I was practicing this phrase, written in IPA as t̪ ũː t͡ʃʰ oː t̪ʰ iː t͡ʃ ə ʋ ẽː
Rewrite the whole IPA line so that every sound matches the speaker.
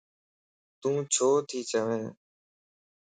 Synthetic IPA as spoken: t̪ ũː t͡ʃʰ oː t̪ʰ iː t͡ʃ ə ʋ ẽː